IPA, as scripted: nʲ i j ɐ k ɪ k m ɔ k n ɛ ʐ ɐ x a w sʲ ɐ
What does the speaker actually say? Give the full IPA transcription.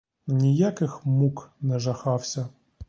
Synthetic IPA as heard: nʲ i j a k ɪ x m u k n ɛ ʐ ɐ x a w sʲ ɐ